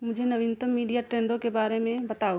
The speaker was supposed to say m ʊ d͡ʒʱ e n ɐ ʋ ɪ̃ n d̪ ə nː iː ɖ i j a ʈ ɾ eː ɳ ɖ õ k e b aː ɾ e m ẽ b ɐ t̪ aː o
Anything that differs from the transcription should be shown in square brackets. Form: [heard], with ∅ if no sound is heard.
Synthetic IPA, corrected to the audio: m ʊ d͡ʒʱ e n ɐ ʋ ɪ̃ n [t̪] ə [mː] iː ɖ i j a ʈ ɾ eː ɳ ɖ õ k e b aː ɾ e m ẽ b ɐ t̪ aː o